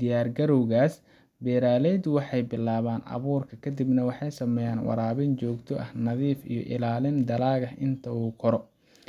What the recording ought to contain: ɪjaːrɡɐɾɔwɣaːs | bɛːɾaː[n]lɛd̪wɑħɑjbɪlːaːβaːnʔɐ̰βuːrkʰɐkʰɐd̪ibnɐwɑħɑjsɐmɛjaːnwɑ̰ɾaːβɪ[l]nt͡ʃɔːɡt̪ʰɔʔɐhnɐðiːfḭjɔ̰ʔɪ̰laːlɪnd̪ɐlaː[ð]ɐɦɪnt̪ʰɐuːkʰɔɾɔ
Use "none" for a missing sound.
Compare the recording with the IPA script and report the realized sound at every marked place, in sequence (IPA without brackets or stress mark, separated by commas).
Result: none, none, ɣ